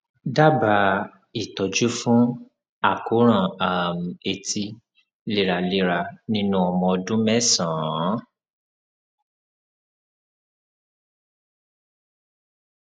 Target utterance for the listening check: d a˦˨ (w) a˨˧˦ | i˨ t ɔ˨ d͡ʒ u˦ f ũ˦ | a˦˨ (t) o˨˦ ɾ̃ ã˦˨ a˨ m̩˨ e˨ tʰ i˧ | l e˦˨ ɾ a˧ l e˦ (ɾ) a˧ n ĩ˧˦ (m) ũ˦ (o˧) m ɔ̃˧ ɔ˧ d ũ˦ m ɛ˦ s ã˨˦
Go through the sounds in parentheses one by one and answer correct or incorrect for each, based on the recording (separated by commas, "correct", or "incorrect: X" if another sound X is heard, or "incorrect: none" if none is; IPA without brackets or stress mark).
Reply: incorrect: b, incorrect: k, correct, incorrect: n, incorrect: ɔ˧